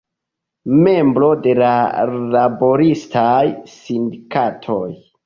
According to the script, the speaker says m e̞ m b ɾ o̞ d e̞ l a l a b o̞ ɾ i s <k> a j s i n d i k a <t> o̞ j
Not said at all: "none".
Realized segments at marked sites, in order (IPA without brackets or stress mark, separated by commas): t, tʰ